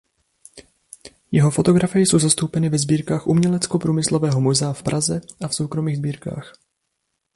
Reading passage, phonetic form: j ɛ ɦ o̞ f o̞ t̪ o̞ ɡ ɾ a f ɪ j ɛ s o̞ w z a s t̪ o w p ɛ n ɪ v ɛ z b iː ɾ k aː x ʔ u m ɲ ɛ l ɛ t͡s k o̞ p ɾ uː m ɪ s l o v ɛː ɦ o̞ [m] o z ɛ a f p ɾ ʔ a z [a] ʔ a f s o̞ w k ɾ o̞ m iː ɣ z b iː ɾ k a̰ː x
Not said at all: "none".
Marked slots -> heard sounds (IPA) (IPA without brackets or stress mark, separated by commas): m, ɛ